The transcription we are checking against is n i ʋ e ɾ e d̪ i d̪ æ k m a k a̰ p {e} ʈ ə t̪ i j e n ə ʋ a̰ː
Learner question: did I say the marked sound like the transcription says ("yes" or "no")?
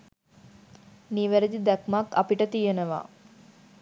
no